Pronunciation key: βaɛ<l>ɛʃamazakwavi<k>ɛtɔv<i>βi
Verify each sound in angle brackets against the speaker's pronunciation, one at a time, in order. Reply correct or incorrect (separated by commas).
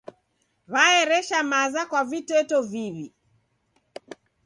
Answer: incorrect, incorrect, correct